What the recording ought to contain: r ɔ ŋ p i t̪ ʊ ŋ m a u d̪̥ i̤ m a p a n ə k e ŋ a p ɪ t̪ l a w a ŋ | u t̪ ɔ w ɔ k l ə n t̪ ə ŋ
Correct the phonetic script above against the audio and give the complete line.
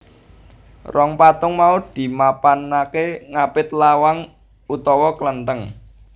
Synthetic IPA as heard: r ɔ ŋ p a t̪ ʊ ŋ m a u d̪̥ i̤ m a p a n a k e ŋ a p ɪ t̪ l a w a ŋ | u t̪ ɔ w ɔ k l ə n t̪ ə ŋ